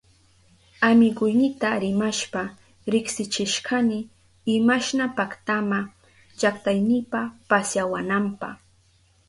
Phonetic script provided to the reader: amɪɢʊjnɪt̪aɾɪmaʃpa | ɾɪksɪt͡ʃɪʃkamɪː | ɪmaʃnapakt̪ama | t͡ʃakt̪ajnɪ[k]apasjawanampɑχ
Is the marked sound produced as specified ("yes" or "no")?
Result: no